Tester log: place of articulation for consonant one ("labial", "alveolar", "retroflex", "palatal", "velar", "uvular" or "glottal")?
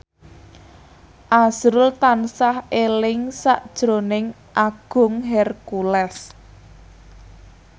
glottal